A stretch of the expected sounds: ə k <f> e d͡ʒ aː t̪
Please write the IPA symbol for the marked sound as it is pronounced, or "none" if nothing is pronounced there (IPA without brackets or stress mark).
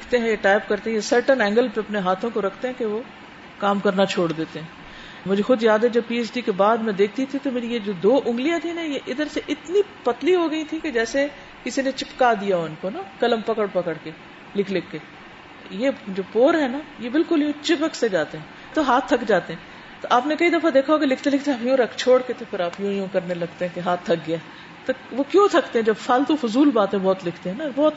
s